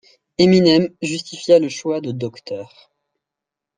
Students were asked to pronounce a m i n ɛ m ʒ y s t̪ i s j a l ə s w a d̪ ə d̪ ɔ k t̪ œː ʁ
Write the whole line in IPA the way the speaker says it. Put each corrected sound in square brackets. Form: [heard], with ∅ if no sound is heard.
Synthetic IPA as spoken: [e] m i n ɛ m ʒ y s t̪ i [f] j a l ə [ʃ] w a d̪ ə d̪ ɔ k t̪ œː ʁ